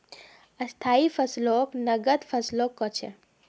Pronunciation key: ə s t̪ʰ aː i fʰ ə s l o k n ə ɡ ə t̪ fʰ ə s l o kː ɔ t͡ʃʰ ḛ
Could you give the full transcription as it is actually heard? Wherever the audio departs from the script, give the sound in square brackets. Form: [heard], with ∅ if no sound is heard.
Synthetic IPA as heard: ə s t̪ʰ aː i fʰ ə s l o k n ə ɡ ə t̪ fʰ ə s l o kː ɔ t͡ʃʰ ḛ